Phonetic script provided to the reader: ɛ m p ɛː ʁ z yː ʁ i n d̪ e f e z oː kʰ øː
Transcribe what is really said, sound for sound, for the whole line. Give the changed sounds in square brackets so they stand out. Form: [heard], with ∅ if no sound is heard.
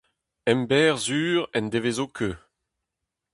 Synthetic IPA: ɛ m [b] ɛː ʁ z yː ʁ [ɛ] n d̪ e [v] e z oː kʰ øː